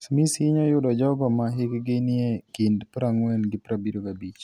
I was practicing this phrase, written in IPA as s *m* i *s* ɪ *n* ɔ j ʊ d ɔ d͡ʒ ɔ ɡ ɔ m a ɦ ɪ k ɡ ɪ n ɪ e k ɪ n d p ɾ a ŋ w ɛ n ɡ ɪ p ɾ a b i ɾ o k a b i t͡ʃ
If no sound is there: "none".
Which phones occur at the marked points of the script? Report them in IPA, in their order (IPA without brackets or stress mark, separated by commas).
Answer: m, s, ɲ